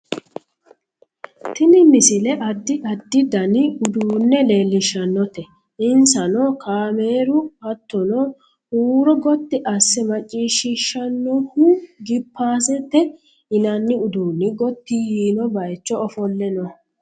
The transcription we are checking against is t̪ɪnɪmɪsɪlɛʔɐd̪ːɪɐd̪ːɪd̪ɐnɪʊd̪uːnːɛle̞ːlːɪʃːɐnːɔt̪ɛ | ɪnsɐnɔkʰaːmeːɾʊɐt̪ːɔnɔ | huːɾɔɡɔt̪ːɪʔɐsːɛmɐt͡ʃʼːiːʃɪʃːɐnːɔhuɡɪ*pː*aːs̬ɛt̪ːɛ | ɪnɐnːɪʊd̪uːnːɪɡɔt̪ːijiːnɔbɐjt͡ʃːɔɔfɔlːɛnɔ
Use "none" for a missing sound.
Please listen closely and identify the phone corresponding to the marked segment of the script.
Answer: pː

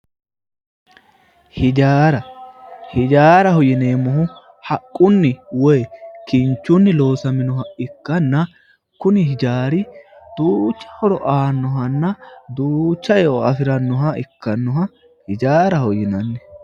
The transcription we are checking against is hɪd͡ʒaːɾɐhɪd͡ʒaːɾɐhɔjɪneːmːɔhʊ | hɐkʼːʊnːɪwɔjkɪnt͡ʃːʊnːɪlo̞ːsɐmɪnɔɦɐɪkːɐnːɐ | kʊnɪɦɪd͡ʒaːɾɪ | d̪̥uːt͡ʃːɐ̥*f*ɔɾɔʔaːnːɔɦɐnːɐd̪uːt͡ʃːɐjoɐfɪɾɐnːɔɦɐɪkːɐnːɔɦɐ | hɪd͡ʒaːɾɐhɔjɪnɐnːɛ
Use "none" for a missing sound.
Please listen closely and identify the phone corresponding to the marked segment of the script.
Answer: h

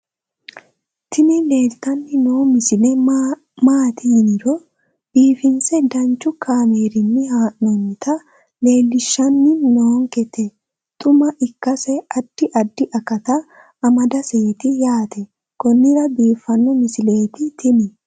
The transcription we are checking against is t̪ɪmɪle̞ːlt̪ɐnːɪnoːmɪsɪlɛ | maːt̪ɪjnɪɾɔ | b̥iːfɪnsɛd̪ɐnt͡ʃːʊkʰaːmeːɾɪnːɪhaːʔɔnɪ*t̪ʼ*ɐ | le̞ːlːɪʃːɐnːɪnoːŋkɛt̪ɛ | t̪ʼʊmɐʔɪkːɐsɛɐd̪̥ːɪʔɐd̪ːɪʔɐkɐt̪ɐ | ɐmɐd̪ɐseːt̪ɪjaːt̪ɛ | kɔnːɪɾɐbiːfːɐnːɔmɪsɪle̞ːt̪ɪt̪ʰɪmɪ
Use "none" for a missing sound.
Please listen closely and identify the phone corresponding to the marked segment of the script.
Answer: t̪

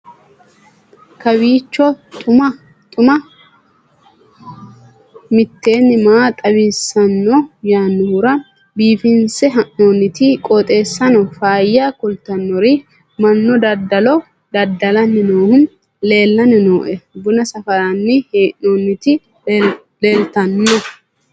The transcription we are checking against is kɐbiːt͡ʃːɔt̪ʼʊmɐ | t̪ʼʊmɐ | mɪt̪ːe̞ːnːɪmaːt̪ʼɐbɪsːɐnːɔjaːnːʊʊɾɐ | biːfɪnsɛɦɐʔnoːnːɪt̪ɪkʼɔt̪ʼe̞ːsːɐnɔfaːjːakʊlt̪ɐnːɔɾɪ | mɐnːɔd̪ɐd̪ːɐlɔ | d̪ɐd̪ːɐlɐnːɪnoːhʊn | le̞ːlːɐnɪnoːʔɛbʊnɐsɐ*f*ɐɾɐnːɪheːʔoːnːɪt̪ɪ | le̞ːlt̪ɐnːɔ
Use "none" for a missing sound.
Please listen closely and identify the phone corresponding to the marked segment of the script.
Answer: f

